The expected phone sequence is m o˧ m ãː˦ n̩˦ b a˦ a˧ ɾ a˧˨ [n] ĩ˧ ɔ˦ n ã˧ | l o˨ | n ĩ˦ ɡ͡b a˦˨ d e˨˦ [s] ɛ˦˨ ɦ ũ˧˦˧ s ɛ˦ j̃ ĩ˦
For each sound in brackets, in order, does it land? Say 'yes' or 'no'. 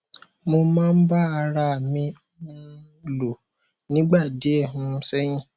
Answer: no, no

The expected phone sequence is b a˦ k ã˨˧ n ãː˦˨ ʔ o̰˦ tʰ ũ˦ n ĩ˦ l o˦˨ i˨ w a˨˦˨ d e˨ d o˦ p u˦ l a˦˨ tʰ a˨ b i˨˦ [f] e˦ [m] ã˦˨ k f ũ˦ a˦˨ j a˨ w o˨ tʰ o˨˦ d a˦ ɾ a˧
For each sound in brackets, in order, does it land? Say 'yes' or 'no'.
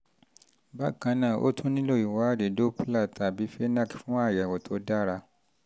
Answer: yes, no

